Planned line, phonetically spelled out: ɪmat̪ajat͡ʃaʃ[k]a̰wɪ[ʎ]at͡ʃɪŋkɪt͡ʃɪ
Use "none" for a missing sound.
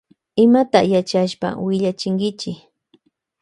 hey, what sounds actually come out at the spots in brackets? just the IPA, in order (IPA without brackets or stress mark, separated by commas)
p, ʎ